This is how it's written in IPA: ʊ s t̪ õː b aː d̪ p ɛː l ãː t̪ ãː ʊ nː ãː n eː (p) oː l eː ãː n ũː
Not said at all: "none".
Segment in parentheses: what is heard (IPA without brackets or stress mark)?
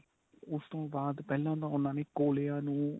k